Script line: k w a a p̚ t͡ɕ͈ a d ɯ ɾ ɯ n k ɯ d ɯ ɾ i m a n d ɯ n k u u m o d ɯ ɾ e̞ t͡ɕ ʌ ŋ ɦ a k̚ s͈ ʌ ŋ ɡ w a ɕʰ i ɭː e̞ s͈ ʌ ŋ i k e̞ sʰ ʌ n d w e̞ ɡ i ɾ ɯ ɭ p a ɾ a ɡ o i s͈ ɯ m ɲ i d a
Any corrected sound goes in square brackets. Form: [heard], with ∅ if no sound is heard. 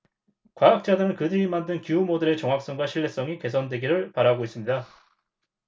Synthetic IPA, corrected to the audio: k w a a [k̚] t͡ɕ͈ a d ɯ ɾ ɯ n k ɯ d ɯ ɾ i m a n d ɯ n k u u m o d ɯ ɾ e̞ t͡ɕ ʌ ŋ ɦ a k̚ s͈ ʌ ŋ ɡ w a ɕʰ i ɭː e̞ s͈ ʌ ŋ i k e̞ sʰ ʌ n d w e̞ ɡ i ɾ ɯ ɭ p a ɾ a ɡ o i s͈ ɯ m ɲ i d a